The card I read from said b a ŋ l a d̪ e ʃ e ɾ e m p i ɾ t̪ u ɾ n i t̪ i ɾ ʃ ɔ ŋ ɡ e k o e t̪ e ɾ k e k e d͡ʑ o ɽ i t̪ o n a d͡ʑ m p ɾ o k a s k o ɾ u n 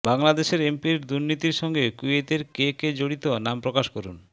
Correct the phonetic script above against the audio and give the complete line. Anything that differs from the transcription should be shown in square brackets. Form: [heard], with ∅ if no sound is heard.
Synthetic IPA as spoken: b a ŋ l a d̪ e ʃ e ɾ e m p i ɾ [d̪] u ɾ n i t̪ i ɾ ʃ ɔ ŋ ɡ e k [u] e t̪ e ɾ k e k e d͡ʑ o ɽ i t̪ o n a [∅] m p ɾ o k a [ʃ] k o ɾ u n